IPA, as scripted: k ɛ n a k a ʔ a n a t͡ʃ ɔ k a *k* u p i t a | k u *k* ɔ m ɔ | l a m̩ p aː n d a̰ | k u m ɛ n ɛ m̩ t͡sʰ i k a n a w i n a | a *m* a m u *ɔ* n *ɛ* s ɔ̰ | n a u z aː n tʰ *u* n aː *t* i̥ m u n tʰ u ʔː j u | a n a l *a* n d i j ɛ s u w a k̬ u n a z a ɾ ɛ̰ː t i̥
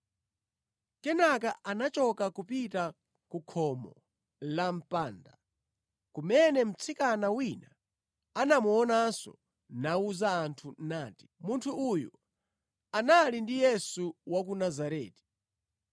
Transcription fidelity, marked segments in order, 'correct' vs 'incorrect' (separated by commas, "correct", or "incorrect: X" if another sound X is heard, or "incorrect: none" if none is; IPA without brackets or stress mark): correct, incorrect: kʰ, incorrect: n, correct, incorrect: a, correct, correct, incorrect: i